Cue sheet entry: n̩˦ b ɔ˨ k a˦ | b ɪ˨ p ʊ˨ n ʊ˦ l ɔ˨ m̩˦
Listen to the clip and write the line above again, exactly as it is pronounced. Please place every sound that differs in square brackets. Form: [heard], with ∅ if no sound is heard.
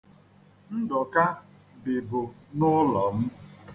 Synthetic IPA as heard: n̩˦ [d] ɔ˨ k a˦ | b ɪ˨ [b] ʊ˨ n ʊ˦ l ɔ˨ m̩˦